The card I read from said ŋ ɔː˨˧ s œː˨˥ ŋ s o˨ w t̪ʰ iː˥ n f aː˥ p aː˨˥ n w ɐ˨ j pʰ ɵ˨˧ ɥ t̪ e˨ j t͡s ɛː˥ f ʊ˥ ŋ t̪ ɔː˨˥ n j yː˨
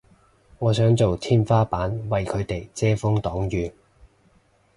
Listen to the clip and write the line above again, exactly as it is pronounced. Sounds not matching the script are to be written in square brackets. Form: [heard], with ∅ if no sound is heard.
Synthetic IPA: ŋ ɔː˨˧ s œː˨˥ ŋ [t͡s] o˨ w t̪ʰ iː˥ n f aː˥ p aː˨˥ n w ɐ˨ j [kʰ] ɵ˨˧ ɥ t̪ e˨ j t͡s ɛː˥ f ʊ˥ ŋ t̪ ɔː˨˥ [ŋ] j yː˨